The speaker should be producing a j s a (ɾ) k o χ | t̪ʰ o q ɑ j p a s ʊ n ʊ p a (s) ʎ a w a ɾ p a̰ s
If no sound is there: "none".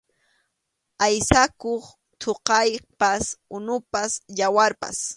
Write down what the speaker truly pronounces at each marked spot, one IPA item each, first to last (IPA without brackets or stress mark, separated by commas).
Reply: none, s